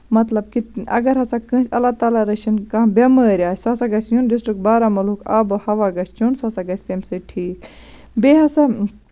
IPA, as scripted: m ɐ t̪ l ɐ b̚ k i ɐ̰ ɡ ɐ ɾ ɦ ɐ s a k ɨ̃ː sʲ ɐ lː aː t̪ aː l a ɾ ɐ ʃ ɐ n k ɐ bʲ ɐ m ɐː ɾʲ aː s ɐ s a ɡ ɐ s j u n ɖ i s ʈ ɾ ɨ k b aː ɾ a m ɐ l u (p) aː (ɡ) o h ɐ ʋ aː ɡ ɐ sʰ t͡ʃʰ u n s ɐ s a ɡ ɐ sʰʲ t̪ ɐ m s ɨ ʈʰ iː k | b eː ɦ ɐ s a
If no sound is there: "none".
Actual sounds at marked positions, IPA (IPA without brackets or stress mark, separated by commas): k, b